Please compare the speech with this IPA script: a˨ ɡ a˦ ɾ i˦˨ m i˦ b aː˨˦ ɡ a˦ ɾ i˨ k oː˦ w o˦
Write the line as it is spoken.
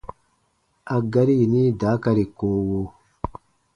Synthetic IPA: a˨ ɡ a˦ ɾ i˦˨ n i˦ d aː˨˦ k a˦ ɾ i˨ k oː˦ w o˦